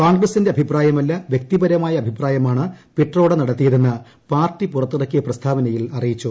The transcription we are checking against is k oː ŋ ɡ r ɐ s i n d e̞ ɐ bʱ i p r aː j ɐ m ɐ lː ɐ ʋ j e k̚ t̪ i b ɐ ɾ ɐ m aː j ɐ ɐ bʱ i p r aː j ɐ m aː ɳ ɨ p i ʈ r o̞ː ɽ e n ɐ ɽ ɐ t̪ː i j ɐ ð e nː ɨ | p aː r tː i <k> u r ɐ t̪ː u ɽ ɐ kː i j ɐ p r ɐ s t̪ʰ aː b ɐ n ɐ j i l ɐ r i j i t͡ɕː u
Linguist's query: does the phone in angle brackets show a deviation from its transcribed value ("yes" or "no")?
yes